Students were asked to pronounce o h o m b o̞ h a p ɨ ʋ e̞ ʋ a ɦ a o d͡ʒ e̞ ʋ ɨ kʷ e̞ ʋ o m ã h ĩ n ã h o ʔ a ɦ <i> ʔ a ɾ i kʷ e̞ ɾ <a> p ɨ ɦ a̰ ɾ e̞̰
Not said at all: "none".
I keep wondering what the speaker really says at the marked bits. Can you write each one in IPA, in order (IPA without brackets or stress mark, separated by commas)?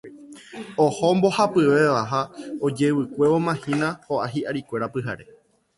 i, a